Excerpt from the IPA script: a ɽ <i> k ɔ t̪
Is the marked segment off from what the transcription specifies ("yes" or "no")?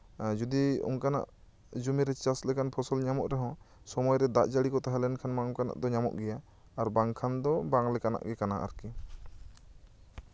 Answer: no